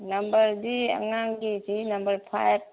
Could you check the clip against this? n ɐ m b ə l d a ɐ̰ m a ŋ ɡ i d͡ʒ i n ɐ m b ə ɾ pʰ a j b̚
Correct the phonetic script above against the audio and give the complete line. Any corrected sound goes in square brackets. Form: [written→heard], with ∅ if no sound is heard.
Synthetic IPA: n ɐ m b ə [l→ɾ] d [a→i] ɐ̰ [m→ŋ] a ŋ ɡ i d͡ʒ i n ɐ m b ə ɾ pʰ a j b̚